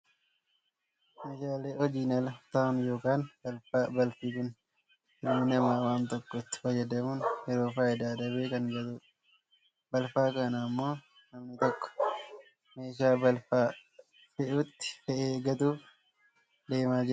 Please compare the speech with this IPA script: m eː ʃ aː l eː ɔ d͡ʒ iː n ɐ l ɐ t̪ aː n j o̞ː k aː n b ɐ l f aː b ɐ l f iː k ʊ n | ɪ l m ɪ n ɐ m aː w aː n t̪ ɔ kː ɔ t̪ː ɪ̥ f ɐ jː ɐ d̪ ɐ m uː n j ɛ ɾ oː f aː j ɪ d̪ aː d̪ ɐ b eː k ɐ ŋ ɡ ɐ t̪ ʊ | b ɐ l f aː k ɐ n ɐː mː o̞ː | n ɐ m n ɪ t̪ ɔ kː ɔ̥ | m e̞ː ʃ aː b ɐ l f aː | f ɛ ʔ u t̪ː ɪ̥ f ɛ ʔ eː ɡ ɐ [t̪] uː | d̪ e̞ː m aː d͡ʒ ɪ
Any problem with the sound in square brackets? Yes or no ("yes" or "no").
no